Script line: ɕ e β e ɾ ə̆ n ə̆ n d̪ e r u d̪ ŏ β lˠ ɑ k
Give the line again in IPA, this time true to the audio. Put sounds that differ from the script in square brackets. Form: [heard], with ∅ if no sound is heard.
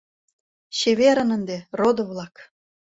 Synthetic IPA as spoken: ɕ e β e ɾ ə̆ n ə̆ n d̪ e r [o] d̪ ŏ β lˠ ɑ k